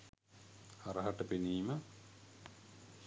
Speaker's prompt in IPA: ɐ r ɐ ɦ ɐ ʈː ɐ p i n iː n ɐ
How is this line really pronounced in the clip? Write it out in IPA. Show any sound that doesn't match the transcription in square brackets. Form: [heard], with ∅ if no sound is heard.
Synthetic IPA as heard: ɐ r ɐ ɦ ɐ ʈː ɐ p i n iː [m] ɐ

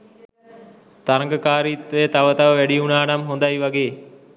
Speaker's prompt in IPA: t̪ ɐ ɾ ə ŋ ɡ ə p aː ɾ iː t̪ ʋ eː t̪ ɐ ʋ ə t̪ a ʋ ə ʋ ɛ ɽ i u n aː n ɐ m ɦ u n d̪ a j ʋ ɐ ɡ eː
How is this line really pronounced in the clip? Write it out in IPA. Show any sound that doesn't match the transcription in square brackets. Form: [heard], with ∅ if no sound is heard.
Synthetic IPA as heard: t̪ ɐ ɾ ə ŋ ɡ ə [k] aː ɾ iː t̪ ʋ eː t̪ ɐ ʋ ə t̪ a ʋ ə ʋ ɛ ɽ i u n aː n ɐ m ɦ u n d̪ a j ʋ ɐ ɡ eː

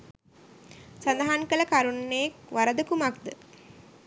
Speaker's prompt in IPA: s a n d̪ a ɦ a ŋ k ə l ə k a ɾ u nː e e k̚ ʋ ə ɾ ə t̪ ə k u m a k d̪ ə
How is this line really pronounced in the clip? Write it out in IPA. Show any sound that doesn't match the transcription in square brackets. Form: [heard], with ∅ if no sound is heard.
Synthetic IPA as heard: s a n d̪ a ɦ a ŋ k ə l ə k a ɾ u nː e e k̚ ʋ [a] ɾ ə [d̪] ə k u m a k d̪ ə

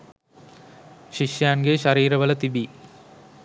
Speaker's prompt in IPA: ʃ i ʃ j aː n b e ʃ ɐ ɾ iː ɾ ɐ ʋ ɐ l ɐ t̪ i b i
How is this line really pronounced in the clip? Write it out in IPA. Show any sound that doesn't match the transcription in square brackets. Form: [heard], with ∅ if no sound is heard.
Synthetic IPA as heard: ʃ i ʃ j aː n [ɡ] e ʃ ɐ ɾ iː ɾ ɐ ʋ ɐ l ɐ t̪ i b i

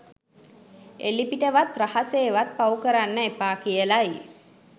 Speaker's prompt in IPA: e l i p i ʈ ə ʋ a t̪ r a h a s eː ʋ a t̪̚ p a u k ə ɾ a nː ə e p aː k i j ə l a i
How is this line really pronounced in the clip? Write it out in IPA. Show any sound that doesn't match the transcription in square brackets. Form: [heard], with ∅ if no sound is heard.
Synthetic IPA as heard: e l i p i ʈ ə ʋ a t̪ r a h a s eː ʋ a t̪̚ p a u k ə ɾ a nː ə e p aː k i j ə l a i

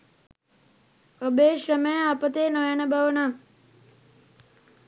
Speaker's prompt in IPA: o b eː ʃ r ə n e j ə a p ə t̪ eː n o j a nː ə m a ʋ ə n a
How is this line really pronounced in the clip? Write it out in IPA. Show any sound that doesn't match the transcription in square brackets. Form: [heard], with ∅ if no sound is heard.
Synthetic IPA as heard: o b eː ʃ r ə [m] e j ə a p ə t̪ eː n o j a [n] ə [b] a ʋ ə n a

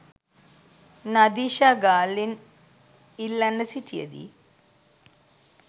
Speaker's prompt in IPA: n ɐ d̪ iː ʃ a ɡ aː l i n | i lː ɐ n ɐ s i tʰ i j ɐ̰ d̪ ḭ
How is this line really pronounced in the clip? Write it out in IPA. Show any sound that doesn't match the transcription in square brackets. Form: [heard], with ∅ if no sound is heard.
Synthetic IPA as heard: n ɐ d̪ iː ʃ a ɡ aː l i n | i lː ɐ n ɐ s i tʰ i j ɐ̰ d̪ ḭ

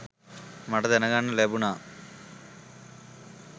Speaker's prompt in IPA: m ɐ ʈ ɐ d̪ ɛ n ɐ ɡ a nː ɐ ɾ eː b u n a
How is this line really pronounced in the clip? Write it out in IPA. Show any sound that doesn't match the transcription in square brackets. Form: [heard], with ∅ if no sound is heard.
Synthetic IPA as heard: m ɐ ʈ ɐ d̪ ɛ n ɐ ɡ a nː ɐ [l] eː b u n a

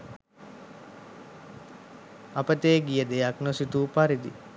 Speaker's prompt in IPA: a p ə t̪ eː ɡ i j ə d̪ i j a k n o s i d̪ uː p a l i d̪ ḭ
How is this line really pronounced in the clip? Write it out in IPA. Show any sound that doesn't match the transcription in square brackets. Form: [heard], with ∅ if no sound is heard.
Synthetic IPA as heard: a p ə t̪ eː ɡ i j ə d̪ [e] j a k n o s i [t̪] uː p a [ɾ] i d̪ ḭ

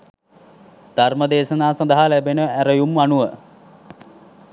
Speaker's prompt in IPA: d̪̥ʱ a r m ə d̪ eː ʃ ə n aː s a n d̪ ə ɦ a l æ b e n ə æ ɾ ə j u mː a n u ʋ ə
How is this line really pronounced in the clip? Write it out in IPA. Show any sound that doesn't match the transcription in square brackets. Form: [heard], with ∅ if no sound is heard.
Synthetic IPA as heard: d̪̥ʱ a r m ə d̪ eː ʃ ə n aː s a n d̪ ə ɦ a l æ b e n ə æ ɾ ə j u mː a n u ʋ ə

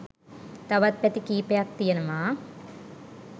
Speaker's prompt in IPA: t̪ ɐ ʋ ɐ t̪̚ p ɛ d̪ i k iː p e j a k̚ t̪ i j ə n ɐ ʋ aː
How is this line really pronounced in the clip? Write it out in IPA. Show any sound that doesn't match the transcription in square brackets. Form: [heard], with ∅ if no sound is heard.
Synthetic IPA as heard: t̪ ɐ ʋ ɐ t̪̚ p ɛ [t̪] i k iː p e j a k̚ t̪ i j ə n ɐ ʋ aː

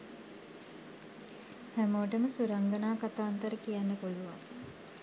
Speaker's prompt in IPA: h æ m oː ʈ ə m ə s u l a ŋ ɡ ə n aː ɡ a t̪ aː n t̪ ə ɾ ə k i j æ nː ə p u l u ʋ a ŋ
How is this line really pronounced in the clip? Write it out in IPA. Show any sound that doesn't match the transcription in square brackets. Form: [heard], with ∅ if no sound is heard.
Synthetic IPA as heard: h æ m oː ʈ ə m ə s u [ɾ] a ŋ ɡ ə n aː [k] a t̪ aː n t̪ ə ɾ ə k i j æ nː ə p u l u ʋ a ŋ

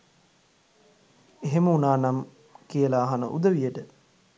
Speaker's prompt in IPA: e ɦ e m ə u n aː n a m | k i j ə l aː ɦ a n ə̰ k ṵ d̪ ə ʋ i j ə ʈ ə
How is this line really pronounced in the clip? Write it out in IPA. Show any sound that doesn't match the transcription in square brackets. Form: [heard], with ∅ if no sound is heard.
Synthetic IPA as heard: e ɦ e m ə u n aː n a m | k i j ə l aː ɦ a n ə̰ [ʔ] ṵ d̪ ə ʋ i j ə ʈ ə

